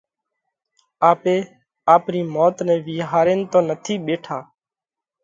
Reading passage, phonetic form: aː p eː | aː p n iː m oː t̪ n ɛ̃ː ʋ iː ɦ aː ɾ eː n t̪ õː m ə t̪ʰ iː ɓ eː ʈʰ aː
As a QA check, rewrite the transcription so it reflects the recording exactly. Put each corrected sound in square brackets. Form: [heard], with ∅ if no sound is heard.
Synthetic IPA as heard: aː p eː | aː p n iː m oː t̪ n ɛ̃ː ʋ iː ɦ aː ɾ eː n t̪ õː [n] ə t̪ʰ iː ɓ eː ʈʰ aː